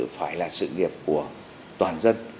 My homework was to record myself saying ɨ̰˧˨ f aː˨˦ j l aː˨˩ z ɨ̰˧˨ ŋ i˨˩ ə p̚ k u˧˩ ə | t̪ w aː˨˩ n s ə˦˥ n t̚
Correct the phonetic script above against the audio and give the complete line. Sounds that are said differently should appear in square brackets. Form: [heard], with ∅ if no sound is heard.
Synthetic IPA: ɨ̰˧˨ f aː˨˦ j l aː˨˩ [s] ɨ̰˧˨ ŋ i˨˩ ə p̚ k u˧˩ ə | t̪ w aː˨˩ n [z] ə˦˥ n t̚